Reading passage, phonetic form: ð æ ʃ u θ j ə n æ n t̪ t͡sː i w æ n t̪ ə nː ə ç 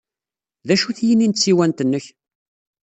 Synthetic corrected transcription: ð æ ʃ u θ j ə n i n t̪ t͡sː i w æ n t̪ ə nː ə ç